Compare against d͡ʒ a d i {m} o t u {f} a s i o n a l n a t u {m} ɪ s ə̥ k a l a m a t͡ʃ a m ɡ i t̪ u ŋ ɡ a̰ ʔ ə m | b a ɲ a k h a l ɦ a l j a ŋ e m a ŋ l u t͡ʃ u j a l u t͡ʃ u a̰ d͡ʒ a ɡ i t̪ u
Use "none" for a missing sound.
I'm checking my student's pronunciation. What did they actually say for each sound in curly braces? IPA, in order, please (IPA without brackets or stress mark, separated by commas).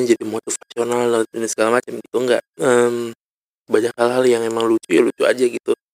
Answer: m, f, n